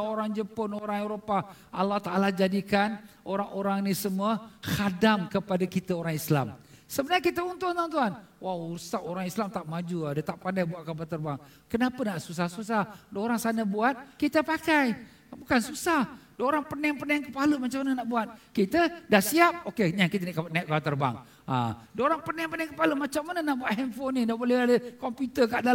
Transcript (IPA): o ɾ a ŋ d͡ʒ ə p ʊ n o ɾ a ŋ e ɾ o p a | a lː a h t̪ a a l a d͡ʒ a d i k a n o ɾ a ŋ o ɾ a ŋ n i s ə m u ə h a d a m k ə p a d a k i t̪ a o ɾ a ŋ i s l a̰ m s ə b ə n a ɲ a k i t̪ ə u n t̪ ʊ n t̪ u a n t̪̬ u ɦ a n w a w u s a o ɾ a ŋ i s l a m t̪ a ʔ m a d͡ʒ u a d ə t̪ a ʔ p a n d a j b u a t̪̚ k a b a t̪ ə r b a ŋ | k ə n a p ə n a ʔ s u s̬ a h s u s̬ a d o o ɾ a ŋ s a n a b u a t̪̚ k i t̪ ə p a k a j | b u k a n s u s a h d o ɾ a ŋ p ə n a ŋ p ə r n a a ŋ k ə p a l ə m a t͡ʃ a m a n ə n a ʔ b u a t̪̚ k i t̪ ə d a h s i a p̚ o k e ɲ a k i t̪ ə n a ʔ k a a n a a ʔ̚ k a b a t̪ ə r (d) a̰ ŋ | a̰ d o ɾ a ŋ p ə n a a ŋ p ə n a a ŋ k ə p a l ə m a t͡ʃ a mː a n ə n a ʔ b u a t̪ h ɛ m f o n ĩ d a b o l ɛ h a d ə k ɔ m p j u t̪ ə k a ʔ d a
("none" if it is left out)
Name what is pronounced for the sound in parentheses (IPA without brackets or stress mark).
b